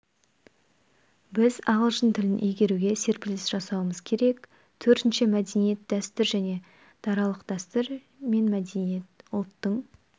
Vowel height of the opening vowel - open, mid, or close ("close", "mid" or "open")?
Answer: close